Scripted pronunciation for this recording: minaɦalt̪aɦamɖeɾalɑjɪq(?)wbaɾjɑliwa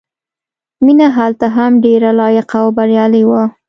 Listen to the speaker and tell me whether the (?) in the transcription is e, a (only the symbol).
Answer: a